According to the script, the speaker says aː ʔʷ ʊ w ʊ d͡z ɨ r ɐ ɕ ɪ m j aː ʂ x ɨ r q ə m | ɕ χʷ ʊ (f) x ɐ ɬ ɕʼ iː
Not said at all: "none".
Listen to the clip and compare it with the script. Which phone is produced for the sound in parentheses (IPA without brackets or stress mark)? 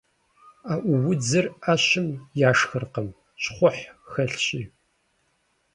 ħ